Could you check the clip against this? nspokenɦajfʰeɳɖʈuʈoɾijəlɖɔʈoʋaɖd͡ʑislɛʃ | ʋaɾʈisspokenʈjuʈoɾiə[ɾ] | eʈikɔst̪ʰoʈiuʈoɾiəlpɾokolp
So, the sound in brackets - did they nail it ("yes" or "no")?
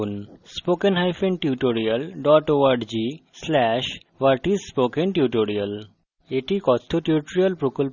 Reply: no